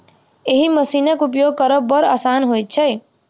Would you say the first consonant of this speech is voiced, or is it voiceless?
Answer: voiced